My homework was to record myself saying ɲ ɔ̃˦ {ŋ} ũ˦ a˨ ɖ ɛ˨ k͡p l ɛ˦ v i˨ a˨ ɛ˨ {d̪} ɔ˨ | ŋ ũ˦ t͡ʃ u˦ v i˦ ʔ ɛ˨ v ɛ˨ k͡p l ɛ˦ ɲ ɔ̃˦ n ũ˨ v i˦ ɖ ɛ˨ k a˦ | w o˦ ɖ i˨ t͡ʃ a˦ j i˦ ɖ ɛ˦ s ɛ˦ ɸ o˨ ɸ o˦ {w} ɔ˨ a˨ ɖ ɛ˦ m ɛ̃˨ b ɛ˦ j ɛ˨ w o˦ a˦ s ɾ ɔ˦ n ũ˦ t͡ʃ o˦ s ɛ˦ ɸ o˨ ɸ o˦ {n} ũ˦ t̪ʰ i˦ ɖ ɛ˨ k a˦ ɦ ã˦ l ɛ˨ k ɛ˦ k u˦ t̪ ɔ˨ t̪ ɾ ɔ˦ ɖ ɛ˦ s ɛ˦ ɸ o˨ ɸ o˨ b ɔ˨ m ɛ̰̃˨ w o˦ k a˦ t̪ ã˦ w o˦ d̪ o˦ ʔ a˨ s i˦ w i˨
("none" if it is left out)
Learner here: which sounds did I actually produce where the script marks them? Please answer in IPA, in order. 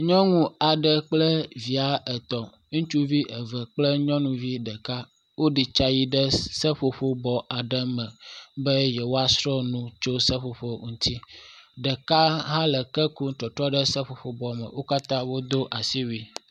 ŋ, t̪, b, ŋ

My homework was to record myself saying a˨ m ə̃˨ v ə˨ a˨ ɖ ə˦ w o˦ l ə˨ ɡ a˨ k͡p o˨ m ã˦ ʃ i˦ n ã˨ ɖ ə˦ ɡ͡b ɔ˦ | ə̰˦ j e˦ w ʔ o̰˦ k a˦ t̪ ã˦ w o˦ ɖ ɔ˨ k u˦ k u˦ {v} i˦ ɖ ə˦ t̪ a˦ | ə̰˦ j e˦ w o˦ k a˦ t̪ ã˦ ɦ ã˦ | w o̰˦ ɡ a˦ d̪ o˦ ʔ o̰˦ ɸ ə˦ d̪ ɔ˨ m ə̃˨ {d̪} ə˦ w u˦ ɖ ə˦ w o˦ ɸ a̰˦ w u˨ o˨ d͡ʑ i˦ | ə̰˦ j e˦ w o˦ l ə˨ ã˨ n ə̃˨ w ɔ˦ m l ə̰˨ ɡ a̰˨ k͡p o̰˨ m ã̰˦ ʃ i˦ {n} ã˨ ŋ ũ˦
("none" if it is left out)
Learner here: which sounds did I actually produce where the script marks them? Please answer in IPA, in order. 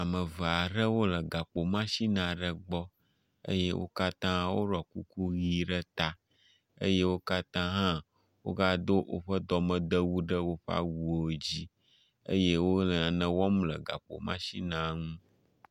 ɣ, d̪, n

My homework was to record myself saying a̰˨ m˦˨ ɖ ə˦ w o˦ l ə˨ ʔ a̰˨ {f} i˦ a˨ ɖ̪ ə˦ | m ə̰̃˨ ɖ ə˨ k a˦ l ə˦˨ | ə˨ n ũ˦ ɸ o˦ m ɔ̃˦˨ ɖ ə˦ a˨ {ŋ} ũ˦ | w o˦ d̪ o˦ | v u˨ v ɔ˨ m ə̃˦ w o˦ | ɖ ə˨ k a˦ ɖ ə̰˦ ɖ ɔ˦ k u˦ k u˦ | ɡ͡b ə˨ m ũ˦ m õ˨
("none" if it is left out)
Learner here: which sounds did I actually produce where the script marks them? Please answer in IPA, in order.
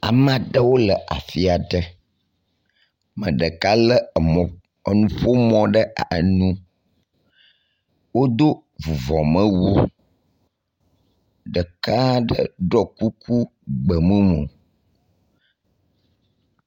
f, n

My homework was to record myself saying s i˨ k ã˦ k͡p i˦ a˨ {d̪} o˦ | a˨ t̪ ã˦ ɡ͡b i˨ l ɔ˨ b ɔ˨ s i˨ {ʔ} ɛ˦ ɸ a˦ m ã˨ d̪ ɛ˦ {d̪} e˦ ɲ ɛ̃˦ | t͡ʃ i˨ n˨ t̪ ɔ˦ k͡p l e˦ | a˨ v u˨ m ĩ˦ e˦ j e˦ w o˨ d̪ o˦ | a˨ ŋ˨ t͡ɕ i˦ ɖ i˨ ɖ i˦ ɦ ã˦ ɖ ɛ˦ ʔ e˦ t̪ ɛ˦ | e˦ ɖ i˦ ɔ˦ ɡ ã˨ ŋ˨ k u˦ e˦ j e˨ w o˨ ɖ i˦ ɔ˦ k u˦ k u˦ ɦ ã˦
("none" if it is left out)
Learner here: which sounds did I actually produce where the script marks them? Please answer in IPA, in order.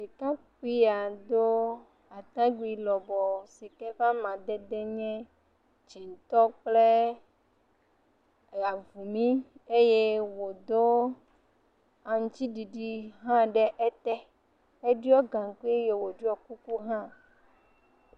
d̪, k, d̪

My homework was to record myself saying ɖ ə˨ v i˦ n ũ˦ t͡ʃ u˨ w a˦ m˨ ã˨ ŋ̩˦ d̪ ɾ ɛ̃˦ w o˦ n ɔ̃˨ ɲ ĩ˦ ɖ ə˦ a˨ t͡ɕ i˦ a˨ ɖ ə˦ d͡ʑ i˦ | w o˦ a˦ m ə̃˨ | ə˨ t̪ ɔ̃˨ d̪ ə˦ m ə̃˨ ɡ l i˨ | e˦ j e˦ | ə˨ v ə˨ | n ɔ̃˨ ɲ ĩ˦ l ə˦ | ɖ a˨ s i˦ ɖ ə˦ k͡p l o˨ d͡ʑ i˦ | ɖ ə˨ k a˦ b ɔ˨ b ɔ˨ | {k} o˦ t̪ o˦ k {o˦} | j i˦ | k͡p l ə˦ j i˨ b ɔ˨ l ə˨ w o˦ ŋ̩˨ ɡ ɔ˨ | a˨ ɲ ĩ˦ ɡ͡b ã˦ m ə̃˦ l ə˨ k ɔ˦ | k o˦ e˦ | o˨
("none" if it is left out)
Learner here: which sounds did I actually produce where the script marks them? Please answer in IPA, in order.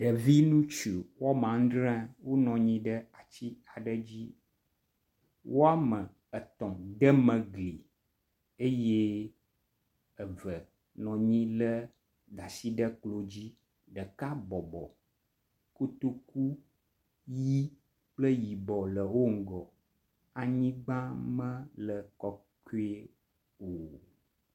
k, u˦

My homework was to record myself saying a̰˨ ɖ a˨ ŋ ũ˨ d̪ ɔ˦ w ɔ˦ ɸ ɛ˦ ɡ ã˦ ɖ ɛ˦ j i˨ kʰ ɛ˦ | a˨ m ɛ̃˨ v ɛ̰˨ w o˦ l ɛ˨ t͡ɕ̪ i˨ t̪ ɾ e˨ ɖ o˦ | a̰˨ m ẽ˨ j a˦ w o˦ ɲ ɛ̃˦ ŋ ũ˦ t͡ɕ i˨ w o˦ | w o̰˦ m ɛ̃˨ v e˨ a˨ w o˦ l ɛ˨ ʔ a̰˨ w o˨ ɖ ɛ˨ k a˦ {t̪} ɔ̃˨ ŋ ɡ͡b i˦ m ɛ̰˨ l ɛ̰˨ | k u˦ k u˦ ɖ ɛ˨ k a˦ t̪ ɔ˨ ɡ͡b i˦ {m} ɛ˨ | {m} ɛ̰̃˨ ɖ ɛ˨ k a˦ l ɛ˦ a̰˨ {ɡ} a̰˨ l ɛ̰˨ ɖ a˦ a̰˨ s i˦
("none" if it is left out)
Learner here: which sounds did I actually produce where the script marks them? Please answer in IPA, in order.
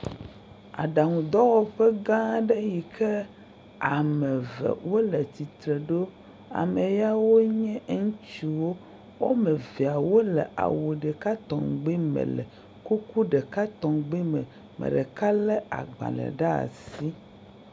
t̪, m, m, ɡ͡b

